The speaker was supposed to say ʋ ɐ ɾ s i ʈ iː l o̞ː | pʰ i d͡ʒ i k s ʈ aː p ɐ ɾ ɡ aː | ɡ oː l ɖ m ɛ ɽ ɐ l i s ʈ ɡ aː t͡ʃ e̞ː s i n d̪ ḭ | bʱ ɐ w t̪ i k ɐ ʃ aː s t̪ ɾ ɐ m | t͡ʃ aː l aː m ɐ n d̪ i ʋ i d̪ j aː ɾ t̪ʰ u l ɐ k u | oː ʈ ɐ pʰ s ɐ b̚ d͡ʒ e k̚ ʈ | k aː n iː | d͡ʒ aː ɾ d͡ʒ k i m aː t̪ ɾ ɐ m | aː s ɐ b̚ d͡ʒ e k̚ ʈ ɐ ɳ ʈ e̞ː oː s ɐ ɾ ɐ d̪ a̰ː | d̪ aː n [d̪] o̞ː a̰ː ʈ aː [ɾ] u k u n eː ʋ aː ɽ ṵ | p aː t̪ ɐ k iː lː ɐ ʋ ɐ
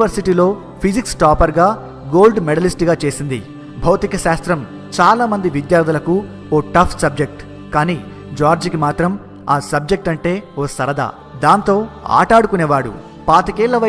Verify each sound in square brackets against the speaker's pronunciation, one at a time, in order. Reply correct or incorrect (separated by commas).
incorrect, incorrect